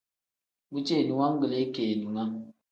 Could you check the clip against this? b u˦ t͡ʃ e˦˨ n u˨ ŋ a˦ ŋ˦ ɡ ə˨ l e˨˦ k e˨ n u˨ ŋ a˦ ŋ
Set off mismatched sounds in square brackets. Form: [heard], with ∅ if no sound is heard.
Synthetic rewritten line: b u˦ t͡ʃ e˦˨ n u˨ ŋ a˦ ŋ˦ ɡ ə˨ l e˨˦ k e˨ n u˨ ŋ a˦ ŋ